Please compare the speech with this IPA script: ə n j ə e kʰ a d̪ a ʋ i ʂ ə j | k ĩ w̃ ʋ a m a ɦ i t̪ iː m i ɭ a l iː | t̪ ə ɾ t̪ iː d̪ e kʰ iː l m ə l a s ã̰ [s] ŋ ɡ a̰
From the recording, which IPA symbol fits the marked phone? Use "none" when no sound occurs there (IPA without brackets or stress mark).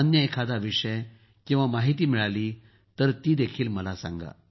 none